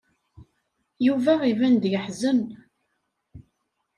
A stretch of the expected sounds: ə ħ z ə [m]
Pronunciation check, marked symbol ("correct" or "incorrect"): incorrect